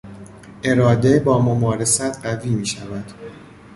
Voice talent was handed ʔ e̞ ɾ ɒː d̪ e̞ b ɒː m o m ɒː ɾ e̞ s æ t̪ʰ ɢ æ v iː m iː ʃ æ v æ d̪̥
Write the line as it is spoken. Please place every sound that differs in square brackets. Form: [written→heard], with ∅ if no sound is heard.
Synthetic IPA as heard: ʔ e̞ ɾ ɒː d̪ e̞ b ɒː m o m ɒː ɾ e̞ s æ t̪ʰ ɢ æ v iː m iː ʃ æ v æ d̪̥